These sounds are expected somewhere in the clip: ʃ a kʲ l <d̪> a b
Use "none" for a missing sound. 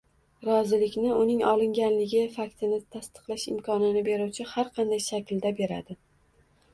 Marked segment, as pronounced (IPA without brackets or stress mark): d̪